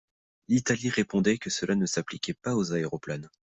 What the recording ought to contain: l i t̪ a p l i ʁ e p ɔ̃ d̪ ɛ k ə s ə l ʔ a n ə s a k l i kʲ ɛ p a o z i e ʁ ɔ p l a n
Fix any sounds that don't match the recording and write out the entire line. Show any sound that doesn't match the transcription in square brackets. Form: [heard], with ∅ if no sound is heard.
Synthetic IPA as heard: l i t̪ a [∅] l i ʁ e p ɔ̃ d̪ ɛ k ə s ə l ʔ a n ə s a [p] l i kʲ ɛ p a o z [a] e ʁ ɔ p l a n